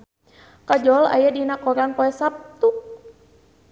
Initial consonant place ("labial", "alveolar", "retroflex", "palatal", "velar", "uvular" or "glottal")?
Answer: velar